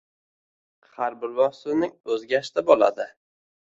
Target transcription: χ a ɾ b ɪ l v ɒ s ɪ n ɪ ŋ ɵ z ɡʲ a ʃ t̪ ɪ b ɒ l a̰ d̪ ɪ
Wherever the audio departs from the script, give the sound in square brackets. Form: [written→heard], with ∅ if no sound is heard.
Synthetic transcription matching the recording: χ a ɾ b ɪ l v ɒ s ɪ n ɪ ŋ ɵ z ɡʲ a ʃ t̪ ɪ b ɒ l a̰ d̪ ɪ